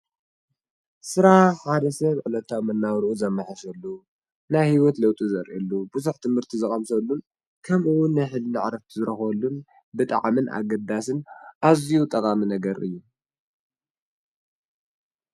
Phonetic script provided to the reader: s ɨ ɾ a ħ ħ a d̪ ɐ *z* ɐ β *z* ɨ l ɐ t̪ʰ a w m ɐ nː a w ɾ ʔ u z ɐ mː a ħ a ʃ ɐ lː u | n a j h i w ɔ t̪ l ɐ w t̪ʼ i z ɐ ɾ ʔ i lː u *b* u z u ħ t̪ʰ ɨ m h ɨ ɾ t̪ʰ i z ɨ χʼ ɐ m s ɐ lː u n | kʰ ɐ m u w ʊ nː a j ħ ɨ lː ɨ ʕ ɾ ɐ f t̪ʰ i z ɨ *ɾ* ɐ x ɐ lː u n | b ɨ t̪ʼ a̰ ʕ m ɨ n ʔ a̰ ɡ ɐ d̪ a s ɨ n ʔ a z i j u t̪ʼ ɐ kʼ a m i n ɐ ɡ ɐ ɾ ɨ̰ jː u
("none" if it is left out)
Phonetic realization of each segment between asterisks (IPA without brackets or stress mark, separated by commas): s, ʕ, b, ɾ